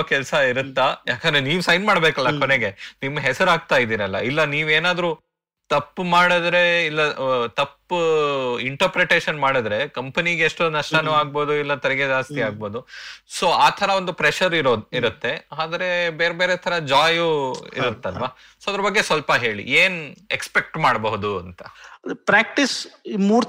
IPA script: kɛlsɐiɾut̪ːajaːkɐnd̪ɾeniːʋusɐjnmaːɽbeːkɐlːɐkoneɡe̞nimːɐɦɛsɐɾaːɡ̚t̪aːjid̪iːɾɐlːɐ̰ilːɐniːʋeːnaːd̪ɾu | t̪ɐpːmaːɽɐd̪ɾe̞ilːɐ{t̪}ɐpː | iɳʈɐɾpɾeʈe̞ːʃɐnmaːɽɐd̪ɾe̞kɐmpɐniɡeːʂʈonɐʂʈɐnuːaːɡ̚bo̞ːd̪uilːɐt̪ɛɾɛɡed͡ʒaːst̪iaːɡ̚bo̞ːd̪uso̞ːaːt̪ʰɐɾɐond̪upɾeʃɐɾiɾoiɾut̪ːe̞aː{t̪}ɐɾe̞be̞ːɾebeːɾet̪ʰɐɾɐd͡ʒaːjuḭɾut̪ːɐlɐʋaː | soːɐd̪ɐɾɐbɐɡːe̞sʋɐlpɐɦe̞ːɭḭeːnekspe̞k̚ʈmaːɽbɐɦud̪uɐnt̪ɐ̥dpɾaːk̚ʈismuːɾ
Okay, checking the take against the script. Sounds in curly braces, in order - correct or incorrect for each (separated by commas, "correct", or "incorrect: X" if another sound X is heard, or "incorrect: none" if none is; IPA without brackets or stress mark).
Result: correct, incorrect: d̪